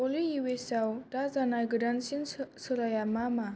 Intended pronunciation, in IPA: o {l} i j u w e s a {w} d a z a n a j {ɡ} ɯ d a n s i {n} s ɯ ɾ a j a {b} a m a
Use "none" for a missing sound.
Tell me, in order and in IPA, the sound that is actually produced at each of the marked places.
l, w, ɡ, n, m

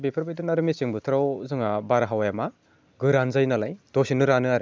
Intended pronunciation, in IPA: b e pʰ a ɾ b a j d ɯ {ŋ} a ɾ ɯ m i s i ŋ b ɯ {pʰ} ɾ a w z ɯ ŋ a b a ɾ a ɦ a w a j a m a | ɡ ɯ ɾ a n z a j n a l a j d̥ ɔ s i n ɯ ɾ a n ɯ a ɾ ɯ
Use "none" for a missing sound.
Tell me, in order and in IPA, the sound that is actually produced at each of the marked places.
n, tʰ

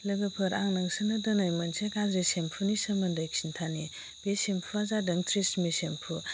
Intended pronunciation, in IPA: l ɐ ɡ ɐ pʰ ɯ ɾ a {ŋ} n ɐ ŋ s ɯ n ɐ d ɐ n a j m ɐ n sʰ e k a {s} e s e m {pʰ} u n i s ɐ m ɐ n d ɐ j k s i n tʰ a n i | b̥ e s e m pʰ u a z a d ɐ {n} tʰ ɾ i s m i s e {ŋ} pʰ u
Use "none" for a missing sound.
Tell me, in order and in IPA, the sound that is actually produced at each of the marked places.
ŋ, z, pʰ, ŋ, m

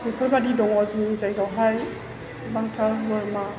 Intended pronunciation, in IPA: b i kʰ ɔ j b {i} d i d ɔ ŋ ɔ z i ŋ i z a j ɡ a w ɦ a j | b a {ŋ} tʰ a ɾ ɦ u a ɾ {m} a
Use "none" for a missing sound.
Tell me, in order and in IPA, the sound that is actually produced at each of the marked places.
a, ŋ, m

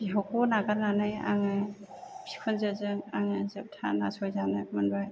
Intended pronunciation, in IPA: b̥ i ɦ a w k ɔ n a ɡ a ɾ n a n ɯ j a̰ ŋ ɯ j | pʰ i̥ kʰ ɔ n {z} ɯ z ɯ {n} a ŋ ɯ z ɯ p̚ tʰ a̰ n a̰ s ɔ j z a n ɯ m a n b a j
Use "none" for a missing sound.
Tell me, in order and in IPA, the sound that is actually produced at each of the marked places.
z, ŋ

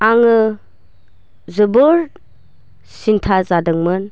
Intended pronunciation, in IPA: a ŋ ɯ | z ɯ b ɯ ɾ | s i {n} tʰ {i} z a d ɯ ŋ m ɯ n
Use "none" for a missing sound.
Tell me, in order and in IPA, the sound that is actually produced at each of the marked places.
n, a

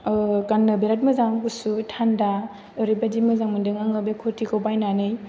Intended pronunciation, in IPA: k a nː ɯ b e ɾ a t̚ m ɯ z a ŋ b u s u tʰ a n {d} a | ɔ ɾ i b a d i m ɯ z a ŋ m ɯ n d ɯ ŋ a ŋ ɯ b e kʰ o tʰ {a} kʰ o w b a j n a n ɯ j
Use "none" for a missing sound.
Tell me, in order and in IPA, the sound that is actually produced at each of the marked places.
d, i

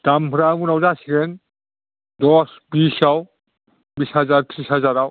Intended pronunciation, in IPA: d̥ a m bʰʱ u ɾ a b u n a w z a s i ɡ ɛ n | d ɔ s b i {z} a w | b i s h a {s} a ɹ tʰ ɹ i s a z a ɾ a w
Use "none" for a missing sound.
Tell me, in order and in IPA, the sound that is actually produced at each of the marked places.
s, z

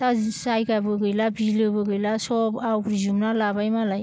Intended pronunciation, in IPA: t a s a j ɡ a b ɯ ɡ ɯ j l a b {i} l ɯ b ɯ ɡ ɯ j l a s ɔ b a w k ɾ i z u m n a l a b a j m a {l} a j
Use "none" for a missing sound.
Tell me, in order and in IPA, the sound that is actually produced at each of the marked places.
i, l

